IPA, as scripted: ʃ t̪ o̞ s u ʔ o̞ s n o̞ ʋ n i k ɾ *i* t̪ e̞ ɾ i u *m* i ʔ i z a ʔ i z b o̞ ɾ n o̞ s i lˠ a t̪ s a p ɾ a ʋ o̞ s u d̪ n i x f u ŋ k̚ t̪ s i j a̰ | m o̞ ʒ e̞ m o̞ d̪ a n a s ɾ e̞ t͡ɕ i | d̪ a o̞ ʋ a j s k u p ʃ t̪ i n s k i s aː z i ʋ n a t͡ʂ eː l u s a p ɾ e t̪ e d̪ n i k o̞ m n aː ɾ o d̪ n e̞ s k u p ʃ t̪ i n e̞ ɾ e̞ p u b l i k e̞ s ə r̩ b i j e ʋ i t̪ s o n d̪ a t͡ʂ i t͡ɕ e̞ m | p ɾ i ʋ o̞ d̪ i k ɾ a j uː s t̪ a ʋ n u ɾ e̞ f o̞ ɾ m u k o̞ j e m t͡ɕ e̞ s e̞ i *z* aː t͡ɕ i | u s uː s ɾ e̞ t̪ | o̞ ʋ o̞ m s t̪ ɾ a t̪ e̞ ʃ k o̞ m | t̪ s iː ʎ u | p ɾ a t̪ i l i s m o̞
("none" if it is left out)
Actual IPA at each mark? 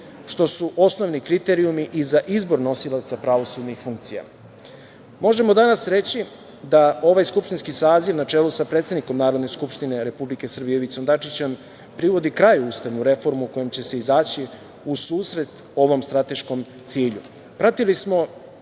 i, m, z

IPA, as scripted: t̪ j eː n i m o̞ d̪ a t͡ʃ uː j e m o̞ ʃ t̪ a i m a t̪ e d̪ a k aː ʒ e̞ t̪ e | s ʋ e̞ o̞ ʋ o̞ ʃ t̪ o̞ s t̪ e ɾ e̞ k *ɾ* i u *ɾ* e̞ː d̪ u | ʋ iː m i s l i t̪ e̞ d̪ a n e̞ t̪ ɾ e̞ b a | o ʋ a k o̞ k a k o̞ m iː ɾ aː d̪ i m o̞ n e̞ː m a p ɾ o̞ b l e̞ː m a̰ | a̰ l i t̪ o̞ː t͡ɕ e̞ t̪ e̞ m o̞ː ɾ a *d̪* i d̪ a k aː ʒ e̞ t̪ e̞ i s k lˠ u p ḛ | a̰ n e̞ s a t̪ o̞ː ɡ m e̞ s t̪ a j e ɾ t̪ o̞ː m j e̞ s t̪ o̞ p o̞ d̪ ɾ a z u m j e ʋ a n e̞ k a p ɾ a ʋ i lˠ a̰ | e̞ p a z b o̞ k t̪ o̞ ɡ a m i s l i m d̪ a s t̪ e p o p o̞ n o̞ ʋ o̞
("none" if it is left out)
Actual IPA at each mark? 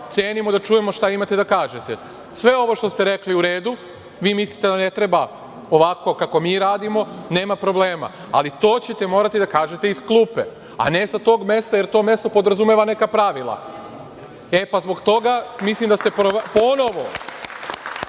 l, ɾ, t̪

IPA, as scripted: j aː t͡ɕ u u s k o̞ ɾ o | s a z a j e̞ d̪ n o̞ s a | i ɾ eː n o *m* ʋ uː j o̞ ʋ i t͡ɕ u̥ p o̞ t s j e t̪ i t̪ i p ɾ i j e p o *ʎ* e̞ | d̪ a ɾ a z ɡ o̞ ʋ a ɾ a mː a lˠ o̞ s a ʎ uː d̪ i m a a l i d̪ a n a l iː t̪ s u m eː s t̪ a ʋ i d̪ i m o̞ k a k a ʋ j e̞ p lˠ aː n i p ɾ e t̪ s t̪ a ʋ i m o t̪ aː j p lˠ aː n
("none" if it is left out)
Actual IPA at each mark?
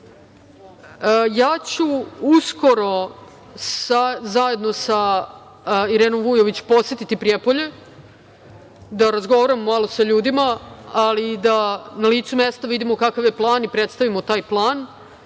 m, ʎ

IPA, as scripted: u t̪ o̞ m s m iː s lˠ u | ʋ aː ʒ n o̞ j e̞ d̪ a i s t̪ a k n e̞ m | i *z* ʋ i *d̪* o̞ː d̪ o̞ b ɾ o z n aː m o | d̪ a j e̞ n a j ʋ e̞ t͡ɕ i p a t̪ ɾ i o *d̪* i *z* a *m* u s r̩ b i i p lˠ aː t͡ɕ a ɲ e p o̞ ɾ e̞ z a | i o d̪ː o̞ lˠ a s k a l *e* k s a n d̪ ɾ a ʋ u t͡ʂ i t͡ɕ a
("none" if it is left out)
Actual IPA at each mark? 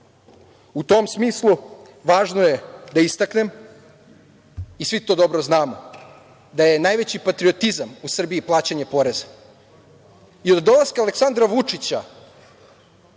s, t̪, t̪, z, m, e

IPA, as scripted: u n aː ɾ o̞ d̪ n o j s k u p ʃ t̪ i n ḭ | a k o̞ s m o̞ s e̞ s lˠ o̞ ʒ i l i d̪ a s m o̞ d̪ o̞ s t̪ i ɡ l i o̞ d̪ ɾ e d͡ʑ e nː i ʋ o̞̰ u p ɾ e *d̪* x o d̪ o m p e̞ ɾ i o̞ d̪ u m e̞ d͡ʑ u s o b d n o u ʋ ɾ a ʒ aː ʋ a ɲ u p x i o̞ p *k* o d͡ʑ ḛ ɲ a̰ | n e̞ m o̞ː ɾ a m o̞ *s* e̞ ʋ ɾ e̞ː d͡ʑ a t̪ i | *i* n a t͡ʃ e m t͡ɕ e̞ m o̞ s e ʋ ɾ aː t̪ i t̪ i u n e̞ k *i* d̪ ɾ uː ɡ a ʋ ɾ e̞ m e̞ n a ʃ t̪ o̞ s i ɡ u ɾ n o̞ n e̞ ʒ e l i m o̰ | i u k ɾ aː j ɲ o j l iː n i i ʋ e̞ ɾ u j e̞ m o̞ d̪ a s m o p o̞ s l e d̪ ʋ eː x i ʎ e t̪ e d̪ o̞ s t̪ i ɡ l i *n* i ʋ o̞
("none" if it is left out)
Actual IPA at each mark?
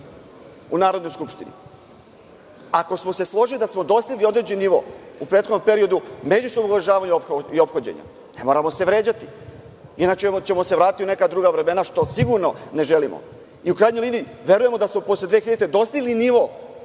t̪, x, s, i, a, n

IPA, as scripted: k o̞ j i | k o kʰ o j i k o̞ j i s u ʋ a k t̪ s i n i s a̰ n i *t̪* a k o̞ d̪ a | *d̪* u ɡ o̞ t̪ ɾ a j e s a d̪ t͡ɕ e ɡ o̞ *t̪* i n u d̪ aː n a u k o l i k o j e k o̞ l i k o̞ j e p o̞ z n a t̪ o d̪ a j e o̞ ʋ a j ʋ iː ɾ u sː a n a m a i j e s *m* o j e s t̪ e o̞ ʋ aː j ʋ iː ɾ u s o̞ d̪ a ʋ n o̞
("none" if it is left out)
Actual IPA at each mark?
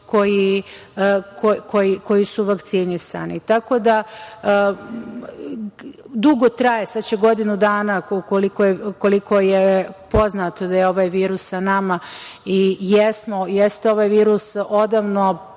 t̪, d̪, d̪, m

